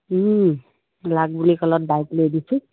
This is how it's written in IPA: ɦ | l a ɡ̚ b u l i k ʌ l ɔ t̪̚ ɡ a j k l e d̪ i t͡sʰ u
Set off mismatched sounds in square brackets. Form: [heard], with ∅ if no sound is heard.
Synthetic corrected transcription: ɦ | l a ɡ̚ b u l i k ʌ l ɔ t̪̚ [b] a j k l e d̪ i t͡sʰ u